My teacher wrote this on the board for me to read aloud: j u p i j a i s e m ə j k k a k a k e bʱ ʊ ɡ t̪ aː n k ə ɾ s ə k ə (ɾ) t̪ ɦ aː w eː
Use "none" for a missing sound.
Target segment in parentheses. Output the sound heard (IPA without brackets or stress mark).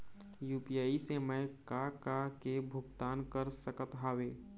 none